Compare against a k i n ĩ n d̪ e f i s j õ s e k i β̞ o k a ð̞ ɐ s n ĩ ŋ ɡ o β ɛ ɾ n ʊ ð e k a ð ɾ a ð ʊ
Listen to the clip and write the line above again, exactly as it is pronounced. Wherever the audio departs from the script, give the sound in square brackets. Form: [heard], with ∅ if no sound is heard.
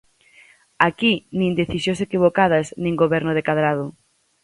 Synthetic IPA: a k i n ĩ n d̪ e [θ] i s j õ s e k i β̞ o k a ð̞ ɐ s n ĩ ŋ ɡ o β ɛ ɾ n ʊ ð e k a ð ɾ a ð ʊ